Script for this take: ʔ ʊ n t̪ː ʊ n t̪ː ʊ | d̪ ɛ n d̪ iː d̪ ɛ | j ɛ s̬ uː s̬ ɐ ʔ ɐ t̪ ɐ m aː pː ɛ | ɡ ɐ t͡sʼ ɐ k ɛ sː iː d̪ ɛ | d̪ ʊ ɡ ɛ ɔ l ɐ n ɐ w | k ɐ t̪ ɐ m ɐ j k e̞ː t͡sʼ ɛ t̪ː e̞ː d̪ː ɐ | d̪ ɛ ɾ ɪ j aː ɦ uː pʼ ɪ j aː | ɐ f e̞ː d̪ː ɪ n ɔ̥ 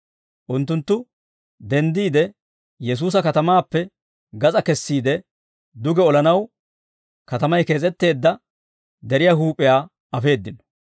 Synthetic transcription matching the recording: ʔ ʊ n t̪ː ʊ n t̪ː ʊ | d̪ ɛ n d̪ iː d̪ ɛ | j ɛ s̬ uː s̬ ɐ k ɐ t̪ ɐ m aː pː ɛ | ɡ ɐ t͡sʼ ɐ k ɛ sː iː d̪ ɛ | d̪ ʊ ɡ ɛ ɔ l ɐ n ɐ w | k ɐ t̪ ɐ m ɐ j k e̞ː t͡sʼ ɛ t̪ː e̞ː d̪ː ɐ | d̪ ɛ ɾ ɪ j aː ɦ uː pʼ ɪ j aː | ɐ f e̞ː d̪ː ɪ n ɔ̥